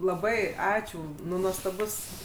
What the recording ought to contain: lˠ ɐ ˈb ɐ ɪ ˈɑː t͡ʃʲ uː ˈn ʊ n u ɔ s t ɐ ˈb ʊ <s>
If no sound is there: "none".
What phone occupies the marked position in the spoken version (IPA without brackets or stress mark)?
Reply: s